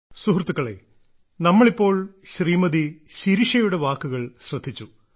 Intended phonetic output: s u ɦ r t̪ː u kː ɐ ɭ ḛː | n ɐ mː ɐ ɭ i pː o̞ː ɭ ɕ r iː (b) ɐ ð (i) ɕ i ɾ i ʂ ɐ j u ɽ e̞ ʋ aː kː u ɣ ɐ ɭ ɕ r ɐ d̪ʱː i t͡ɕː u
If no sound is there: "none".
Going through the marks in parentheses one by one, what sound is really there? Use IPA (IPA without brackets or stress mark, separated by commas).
m, i